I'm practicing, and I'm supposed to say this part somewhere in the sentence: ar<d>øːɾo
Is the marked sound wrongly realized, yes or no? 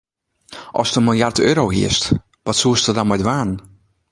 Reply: yes